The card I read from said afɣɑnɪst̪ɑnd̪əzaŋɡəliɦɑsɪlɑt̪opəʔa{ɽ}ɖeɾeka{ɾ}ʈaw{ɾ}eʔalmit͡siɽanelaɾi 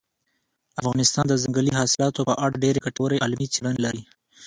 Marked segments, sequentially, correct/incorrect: correct, incorrect: none, correct

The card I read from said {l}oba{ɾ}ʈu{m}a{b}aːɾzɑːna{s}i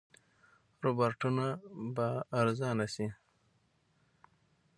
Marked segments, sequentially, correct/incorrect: incorrect: ɾ, correct, incorrect: n, correct, correct

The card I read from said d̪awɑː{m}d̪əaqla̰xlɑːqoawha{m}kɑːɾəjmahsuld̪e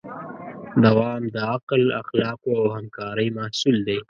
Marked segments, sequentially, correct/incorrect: correct, correct

